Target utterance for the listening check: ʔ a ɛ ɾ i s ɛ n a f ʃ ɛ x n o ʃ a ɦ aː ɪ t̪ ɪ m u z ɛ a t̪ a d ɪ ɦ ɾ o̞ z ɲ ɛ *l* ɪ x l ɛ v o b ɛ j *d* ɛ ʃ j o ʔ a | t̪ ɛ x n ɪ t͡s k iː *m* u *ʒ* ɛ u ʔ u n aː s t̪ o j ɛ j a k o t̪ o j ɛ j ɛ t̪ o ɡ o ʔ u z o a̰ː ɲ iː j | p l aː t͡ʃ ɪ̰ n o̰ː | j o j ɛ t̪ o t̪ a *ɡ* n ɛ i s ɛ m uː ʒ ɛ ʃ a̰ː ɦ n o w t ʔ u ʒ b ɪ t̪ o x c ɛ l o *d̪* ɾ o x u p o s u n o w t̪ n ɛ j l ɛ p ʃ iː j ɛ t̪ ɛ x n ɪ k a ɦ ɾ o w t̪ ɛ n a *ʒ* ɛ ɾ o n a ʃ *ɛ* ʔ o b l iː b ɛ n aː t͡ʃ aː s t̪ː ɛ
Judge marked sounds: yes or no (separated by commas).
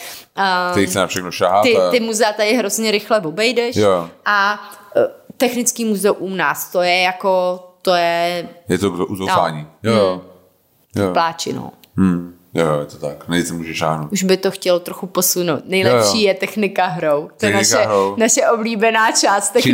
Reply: no, yes, yes, no, no, no, no, yes